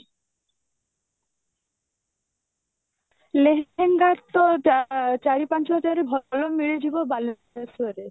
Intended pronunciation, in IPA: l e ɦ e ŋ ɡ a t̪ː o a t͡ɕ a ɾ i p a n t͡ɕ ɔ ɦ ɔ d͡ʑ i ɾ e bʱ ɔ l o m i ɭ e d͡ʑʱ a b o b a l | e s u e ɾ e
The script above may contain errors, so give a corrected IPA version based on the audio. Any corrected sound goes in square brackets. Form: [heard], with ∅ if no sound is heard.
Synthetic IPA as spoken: l e ɦ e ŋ ɡ a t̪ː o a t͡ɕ a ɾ i p a n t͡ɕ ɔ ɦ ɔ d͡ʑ [a] ɾ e bʱ ɔ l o m i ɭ e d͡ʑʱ [i] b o b a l | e s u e ɾ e